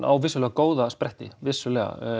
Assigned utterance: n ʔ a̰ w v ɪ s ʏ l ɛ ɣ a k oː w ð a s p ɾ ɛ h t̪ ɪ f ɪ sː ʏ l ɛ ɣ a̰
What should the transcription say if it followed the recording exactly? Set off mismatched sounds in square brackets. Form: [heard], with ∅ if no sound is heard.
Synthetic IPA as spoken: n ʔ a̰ w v ɪ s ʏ l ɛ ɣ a k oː w ð a s p ɾ ɛ h t̪ ɪ [v] ɪ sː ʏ l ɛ ɣ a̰